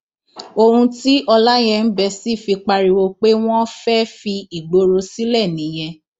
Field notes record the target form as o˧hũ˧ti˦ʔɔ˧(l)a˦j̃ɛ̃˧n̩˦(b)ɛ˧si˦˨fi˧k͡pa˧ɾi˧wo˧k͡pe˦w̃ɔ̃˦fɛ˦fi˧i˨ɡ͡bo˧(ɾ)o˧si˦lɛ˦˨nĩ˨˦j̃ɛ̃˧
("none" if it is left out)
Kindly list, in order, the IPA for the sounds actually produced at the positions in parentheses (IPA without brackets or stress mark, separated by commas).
l, b, ɾ